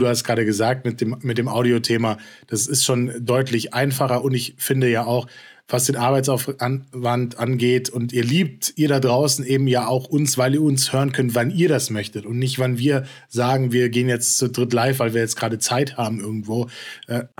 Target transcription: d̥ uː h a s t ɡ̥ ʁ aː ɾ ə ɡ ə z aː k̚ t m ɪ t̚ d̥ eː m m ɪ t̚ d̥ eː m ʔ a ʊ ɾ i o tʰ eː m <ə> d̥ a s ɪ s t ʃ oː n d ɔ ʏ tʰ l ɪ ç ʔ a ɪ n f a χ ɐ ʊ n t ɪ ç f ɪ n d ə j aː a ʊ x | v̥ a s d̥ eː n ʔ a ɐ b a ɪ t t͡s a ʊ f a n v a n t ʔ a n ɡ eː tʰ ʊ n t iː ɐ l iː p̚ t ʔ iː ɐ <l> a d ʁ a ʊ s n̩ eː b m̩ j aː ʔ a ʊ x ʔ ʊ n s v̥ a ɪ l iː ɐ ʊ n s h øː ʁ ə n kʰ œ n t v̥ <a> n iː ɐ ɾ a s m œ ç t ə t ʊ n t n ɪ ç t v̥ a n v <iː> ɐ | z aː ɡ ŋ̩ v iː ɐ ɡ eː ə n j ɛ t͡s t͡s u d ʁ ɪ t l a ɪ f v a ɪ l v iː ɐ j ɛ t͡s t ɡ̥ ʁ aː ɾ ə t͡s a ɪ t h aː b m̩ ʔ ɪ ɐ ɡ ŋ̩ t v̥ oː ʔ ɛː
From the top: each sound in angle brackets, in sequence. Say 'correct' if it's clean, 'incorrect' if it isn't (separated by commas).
incorrect, incorrect, correct, correct